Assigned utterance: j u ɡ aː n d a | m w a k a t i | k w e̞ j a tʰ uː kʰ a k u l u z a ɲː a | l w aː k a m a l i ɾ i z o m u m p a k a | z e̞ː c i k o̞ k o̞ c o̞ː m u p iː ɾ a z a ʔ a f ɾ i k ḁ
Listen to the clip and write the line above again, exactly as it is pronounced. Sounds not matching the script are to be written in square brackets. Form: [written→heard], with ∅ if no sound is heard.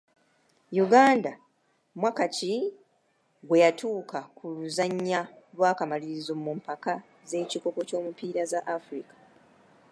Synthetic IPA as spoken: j u ɡ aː n d a | m w a k a [t→c] i | [k→ɡ] w e̞ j a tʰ uː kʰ a k u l u z a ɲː a | l w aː k a m a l i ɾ i z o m u m p a k a | z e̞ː c i k o̞ k o̞ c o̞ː m u p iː ɾ a z a ʔ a f ɾ i k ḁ